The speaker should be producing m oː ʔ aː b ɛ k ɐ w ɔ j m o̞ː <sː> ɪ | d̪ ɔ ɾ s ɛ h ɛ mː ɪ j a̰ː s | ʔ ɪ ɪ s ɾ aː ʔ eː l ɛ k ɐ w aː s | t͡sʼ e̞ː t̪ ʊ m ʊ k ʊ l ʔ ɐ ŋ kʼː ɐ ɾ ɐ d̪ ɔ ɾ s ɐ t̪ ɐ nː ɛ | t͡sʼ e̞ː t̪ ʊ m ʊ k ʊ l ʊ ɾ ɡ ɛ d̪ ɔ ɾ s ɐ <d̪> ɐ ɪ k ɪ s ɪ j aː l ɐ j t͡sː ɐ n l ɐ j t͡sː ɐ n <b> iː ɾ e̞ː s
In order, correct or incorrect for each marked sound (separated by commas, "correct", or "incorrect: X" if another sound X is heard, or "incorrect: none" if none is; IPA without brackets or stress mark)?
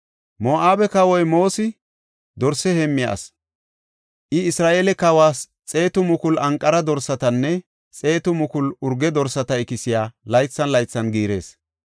incorrect: s, incorrect: t̪, incorrect: ɡ